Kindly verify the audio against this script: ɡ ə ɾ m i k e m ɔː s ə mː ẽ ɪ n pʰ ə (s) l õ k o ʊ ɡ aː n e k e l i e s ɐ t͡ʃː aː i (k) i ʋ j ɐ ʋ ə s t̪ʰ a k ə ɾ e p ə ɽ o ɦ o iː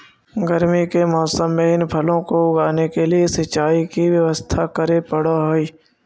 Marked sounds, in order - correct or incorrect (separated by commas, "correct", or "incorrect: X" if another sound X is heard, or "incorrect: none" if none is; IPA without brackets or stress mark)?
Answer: incorrect: none, correct